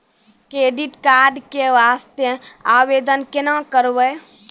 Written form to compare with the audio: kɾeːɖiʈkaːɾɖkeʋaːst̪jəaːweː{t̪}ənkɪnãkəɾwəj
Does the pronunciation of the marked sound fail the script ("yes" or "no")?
yes